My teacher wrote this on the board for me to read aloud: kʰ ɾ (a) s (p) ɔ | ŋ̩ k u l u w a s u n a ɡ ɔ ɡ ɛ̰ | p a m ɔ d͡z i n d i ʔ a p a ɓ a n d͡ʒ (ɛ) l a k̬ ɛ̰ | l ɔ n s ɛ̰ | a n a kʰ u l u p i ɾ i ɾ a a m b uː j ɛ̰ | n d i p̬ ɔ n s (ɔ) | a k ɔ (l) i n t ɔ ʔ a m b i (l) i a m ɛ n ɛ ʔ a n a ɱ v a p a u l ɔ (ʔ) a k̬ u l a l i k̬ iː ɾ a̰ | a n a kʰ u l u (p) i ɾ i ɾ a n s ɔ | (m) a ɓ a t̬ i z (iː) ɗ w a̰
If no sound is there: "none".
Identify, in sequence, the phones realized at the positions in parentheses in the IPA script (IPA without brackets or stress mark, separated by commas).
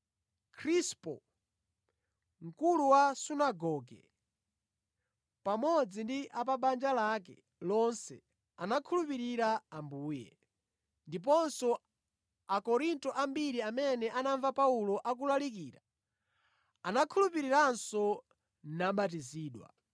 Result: i, p, a, ɔ, ɾ, ɾ, ʔ, p, n, iː